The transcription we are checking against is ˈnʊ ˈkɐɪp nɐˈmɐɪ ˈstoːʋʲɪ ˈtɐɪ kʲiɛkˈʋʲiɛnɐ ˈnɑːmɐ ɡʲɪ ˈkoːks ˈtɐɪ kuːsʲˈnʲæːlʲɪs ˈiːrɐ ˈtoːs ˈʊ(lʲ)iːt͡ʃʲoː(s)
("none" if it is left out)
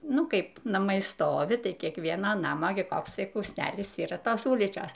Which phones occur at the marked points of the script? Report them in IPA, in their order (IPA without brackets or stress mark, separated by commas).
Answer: lʲ, s